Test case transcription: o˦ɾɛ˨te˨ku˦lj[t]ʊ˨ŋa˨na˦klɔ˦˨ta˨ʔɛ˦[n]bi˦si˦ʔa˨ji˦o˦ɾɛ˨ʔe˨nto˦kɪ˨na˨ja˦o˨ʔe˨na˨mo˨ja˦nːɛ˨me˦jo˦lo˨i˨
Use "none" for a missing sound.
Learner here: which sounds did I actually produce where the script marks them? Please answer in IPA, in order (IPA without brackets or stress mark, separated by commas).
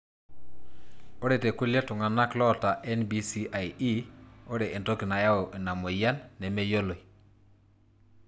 t, n